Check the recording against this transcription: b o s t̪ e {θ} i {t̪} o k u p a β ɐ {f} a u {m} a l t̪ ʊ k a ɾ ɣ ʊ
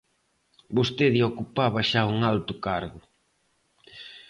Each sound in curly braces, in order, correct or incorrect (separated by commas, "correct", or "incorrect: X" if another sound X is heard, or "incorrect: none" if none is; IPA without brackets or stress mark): incorrect: ð, incorrect: none, incorrect: ʃ, incorrect: ŋ